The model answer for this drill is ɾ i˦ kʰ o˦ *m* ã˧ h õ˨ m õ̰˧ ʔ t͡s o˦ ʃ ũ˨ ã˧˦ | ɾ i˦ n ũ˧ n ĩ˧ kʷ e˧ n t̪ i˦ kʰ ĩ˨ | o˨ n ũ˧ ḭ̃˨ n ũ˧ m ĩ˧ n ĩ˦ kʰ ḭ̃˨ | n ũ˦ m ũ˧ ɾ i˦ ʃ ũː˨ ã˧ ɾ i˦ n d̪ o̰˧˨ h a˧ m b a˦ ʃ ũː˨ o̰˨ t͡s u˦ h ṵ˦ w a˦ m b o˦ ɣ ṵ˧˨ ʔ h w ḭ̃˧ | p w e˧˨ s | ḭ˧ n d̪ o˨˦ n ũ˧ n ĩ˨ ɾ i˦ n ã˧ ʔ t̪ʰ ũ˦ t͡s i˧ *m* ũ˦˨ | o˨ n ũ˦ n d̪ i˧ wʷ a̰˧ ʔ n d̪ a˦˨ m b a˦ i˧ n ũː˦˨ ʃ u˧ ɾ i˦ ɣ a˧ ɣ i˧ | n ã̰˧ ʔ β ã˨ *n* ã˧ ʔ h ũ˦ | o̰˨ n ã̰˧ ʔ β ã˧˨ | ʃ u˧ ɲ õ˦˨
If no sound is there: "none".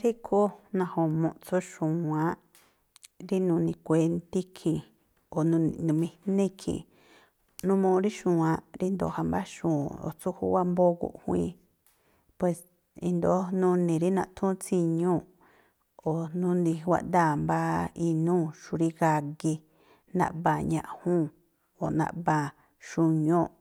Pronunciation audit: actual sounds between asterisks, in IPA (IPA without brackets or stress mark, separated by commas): n, ɲ, ɲ